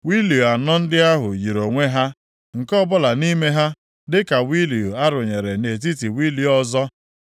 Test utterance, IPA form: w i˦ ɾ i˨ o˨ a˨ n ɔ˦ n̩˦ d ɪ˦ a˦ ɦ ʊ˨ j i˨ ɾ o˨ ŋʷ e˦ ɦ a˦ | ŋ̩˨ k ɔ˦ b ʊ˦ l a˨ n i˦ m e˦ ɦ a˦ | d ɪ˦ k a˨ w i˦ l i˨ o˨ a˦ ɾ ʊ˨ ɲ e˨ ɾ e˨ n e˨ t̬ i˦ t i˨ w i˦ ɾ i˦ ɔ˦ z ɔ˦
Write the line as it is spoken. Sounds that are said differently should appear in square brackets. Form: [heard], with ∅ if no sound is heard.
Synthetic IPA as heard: w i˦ [l] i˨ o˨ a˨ n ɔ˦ n̩˦ d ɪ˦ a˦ ɦ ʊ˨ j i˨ ɾ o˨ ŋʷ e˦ ɦ a˦ | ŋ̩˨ k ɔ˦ b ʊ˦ l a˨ n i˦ m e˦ ɦ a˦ | d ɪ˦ k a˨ w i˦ l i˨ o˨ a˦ ɾ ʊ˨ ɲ e˨ ɾ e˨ n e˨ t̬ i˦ t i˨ w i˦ [l] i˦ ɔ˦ z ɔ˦

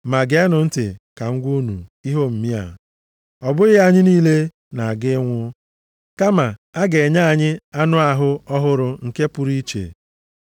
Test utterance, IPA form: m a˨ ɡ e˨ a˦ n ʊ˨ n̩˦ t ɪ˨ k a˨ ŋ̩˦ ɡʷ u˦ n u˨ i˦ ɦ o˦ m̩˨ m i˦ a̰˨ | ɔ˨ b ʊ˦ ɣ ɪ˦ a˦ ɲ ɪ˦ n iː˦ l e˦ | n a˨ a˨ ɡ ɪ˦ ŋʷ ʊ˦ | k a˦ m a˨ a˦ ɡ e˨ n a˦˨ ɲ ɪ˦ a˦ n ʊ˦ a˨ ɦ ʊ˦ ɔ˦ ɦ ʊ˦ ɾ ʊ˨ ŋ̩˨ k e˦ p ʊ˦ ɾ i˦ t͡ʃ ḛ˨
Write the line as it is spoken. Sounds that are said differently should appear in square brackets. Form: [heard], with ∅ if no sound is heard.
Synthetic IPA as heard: m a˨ ɡ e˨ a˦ n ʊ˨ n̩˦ t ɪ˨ k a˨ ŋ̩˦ ɡʷ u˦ n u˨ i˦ ɦ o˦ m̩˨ m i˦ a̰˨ | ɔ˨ b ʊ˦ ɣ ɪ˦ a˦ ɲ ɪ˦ n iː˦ l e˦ | n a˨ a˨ ɡ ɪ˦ ŋʷ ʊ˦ | k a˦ m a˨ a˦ ɡ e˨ [ɲ] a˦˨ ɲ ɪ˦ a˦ n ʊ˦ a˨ ɦ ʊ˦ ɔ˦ ɦ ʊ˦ ɾ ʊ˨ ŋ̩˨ k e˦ p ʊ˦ ɾ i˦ t͡ʃ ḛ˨

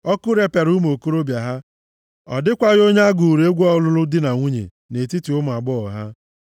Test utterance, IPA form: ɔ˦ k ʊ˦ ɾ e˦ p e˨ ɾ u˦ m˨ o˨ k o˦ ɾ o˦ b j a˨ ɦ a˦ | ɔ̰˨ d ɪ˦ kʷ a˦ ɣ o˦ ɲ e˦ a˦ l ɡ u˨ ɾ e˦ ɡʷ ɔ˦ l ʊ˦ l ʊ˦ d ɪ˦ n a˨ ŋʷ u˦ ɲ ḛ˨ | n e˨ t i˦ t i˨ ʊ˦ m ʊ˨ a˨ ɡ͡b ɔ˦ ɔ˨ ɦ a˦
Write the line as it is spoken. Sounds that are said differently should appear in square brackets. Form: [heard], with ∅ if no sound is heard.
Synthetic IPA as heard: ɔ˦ k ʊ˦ ɾ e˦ p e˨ ɾ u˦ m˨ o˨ k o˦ ɾ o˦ b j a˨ ɦ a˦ | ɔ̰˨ d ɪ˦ kʷ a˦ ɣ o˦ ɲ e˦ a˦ [∅] ɡ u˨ ɾ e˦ ɡʷ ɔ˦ l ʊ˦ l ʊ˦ d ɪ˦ n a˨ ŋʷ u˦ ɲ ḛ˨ | n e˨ t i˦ t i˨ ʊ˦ m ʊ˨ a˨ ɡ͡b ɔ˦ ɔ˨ ɦ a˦

